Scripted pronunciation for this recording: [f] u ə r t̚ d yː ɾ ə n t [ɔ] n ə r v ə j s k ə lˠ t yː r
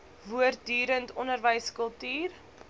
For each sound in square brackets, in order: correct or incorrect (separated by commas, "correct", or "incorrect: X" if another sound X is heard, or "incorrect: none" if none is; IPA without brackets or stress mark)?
incorrect: v, correct